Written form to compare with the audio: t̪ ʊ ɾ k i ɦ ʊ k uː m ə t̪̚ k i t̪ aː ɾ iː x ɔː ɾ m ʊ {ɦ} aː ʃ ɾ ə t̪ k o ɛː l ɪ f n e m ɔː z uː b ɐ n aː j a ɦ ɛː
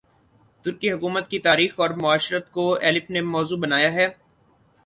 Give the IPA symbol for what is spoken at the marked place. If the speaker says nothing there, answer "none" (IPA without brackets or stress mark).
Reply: none